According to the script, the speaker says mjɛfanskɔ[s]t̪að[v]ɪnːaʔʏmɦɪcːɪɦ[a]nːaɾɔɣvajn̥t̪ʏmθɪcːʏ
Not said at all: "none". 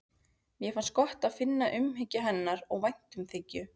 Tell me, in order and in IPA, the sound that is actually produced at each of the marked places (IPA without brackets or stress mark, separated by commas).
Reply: h, f, ɛ